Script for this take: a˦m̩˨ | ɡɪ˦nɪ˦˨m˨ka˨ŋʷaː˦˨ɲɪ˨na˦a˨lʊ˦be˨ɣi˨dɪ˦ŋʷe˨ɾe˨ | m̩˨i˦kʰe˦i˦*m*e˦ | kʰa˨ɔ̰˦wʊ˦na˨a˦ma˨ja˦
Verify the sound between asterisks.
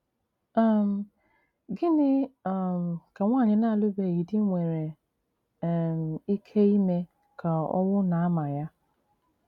correct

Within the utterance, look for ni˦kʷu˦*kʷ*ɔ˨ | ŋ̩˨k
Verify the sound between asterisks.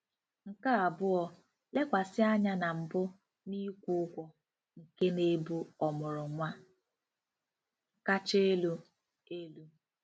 correct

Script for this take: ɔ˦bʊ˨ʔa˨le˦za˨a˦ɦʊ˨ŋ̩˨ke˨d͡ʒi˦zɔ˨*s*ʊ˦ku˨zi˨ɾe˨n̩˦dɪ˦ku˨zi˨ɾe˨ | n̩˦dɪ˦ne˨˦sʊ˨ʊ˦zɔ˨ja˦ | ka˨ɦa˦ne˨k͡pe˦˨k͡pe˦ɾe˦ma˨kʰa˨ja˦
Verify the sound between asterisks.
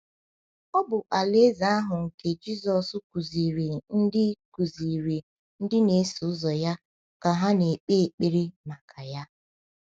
correct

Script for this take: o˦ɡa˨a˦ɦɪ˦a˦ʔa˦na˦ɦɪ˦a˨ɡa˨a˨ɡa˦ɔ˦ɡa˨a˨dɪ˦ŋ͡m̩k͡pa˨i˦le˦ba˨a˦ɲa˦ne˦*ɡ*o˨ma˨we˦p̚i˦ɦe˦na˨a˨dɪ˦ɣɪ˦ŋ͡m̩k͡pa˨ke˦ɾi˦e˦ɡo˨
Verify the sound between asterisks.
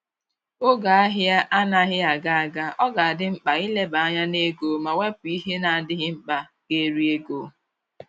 correct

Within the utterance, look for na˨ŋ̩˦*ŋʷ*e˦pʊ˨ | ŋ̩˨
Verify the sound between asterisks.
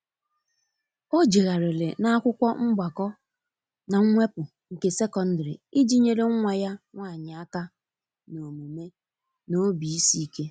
correct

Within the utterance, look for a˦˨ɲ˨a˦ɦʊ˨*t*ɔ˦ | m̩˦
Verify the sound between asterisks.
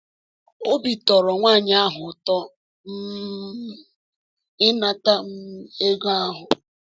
correct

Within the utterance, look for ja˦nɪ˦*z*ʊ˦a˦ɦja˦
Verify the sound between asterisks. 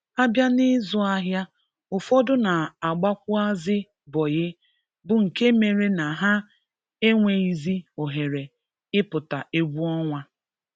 correct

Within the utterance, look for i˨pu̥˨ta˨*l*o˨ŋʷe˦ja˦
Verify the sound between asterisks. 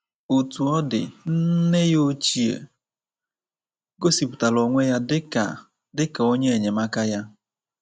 correct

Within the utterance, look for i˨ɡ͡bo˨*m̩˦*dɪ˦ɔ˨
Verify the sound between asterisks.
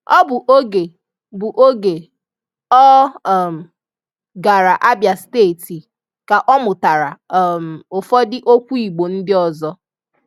incorrect: n̩˦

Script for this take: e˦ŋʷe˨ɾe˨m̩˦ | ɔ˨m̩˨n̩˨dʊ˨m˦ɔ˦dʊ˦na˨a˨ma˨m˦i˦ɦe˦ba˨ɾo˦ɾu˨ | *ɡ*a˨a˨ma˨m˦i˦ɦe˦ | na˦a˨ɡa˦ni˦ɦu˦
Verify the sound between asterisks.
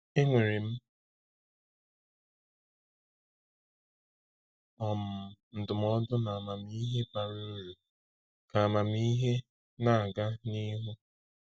incorrect: k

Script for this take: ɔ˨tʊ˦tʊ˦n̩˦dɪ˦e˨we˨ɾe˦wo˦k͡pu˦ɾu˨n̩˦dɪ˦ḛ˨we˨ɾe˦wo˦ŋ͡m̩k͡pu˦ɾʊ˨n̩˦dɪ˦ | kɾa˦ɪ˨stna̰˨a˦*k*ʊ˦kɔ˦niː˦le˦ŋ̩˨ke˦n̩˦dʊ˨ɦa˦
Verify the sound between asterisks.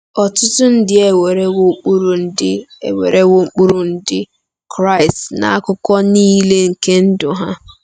correct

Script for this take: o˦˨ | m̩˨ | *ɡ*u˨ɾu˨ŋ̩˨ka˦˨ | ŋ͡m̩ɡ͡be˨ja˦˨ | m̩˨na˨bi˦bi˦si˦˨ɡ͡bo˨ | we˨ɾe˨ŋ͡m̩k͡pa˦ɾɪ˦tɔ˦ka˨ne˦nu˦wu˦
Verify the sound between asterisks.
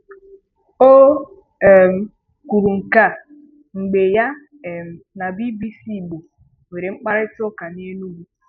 incorrect: k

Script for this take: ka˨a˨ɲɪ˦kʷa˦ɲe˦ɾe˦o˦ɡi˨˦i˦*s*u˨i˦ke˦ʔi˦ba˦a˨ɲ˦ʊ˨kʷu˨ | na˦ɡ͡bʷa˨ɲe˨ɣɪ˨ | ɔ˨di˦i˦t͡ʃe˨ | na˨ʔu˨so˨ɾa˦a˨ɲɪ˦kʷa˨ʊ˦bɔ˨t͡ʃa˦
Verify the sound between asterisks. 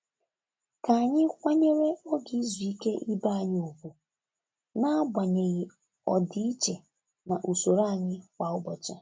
incorrect: z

